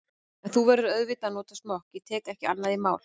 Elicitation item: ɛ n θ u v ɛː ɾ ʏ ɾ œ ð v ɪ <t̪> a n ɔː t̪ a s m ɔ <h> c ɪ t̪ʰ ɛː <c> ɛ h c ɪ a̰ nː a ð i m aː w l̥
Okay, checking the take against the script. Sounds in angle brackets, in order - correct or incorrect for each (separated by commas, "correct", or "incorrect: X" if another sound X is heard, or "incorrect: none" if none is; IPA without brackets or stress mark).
correct, correct, incorrect: k